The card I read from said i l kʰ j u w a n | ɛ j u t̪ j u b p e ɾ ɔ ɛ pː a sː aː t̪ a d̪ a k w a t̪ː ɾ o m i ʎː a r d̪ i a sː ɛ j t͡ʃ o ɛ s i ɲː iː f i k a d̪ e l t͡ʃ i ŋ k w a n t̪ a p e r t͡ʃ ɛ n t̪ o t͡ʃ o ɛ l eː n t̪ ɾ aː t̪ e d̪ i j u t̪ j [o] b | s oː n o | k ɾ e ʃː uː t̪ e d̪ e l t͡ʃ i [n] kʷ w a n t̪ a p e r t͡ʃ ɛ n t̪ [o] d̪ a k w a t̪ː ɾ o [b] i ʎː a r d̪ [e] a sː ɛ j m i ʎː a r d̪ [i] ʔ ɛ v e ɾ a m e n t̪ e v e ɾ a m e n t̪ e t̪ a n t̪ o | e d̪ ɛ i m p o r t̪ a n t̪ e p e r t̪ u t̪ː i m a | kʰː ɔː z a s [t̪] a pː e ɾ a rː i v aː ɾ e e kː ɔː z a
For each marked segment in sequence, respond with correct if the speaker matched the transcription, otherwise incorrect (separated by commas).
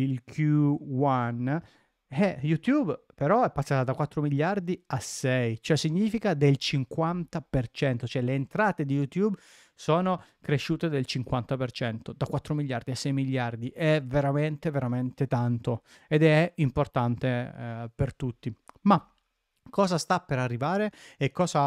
incorrect, incorrect, correct, incorrect, incorrect, correct, correct